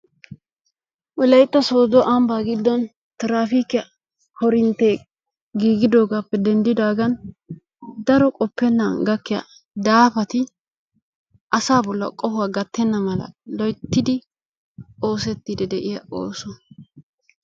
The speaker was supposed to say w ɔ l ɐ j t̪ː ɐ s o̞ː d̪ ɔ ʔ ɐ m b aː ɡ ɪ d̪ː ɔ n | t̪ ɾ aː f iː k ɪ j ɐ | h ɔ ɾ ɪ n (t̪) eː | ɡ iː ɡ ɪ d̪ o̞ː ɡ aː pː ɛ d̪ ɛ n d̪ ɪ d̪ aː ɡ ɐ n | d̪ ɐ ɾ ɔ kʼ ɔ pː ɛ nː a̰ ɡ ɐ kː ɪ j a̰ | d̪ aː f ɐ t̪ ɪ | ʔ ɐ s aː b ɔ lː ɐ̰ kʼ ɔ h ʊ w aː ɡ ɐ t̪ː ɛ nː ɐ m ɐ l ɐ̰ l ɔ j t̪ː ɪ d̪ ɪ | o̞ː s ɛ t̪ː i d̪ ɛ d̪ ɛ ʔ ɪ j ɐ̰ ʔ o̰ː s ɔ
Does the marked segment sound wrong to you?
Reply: no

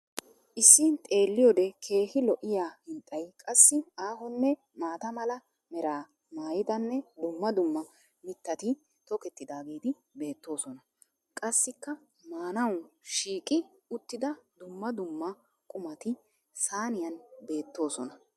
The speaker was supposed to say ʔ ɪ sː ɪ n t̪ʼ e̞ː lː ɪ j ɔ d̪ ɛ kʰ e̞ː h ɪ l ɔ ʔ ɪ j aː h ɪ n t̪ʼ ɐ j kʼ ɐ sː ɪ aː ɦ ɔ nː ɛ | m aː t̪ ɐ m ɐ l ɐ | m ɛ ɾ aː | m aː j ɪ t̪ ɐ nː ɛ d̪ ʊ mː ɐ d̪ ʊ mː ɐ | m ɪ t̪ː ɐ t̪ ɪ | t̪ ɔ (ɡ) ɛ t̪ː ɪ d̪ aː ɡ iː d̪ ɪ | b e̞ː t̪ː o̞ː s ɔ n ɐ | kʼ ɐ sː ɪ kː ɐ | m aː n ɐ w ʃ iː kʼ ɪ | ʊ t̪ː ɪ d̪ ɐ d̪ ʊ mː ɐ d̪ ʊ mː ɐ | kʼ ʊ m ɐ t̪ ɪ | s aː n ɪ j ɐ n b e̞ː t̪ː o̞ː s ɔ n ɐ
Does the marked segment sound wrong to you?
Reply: yes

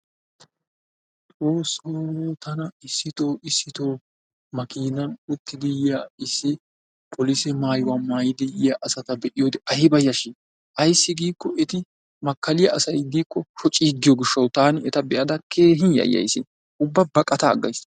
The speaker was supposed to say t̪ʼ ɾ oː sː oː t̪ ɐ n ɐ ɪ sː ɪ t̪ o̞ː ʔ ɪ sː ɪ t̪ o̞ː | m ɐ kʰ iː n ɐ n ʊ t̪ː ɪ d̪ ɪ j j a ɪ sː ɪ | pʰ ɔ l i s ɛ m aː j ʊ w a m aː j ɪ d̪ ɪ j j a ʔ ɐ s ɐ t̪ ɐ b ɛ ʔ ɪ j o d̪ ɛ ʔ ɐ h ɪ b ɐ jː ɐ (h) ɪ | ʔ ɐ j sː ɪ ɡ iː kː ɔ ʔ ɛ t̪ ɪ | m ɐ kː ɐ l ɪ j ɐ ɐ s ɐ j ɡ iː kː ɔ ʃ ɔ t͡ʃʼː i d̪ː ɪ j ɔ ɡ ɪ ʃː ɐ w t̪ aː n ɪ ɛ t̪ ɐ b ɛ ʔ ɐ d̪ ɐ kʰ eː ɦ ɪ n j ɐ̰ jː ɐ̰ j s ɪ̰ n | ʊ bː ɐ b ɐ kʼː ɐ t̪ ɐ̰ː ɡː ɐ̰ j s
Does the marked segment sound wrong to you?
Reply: yes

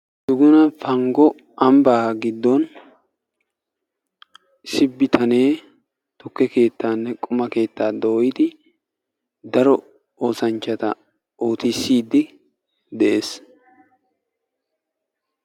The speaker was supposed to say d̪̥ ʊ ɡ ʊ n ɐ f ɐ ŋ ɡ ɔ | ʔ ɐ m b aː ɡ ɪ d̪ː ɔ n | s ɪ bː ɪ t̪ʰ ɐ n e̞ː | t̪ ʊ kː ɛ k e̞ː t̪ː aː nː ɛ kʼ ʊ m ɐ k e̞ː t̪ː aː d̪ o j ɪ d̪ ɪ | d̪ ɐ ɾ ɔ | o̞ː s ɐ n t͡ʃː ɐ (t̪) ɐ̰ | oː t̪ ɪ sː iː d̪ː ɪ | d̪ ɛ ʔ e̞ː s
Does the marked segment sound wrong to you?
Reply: no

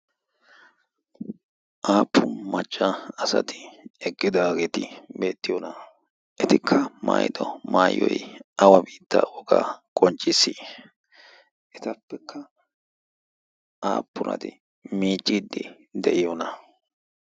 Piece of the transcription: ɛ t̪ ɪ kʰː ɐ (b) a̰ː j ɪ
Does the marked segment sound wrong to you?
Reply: yes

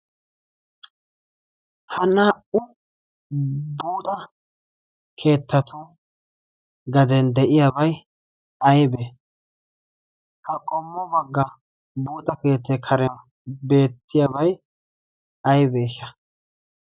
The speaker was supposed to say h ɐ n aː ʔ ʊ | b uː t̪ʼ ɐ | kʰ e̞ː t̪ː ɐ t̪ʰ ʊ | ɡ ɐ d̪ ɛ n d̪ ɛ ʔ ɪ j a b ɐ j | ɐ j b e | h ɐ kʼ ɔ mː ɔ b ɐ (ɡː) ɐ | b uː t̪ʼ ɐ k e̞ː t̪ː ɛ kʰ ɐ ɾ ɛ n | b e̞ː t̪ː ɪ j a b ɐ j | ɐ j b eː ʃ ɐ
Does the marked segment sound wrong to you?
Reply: no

